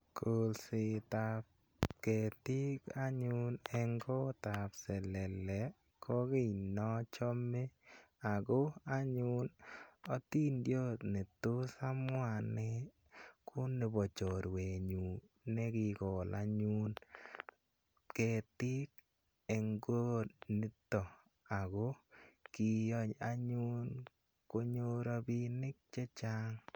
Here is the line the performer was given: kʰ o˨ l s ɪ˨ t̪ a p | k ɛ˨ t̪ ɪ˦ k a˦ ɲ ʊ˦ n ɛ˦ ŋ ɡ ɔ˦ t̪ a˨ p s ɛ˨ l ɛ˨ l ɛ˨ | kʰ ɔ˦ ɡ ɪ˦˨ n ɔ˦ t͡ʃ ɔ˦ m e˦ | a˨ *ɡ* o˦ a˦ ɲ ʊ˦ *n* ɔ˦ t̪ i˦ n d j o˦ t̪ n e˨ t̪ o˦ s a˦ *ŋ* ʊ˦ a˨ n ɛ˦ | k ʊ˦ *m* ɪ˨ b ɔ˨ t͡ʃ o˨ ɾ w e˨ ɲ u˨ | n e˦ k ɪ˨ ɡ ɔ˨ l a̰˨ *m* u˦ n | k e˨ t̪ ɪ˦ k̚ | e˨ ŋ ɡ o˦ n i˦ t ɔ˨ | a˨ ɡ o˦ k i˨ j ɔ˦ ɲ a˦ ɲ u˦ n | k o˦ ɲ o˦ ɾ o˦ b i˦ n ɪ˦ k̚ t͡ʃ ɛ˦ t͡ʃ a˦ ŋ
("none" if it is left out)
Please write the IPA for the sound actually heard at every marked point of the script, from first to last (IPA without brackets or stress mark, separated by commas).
ɡ, n, m, n, ɲ